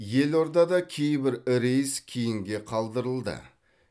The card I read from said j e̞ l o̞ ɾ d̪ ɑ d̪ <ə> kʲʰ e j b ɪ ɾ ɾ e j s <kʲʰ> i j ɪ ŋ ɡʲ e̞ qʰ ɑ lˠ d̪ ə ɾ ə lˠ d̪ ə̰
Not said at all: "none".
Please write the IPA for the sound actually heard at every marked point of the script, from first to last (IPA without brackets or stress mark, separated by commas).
ɑ, kʲʰ